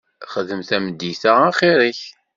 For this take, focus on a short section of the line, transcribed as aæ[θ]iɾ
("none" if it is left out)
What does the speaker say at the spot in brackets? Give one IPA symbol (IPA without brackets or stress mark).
χ